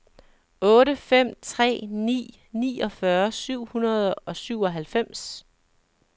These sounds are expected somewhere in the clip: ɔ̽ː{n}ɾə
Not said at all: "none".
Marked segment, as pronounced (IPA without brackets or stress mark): none